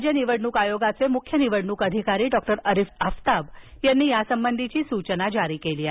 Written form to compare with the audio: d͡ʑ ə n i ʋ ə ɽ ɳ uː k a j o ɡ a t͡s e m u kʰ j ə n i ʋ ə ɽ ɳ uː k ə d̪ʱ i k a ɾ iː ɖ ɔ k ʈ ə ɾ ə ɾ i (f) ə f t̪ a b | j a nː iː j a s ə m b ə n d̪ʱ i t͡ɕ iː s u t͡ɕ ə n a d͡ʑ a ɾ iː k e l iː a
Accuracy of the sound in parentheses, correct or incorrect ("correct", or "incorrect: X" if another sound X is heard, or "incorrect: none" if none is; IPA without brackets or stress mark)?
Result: correct